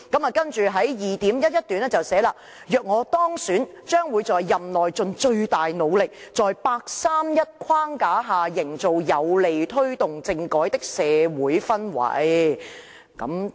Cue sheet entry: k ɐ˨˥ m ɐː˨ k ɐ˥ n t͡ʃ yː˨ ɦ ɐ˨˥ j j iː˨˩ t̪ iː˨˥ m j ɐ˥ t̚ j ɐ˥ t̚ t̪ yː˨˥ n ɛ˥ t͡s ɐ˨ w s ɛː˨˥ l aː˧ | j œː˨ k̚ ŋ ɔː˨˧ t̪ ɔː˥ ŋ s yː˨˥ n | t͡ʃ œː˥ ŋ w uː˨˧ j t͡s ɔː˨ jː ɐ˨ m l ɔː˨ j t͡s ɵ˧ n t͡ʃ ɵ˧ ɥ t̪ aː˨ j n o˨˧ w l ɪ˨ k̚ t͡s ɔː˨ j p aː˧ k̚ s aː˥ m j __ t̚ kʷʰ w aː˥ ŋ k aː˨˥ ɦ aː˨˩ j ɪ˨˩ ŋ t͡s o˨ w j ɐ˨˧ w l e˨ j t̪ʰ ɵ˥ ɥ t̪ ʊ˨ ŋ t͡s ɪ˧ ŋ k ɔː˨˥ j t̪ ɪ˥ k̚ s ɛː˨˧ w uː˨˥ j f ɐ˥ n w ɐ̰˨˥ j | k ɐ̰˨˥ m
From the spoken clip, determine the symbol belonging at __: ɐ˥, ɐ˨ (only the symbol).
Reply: ɐ˥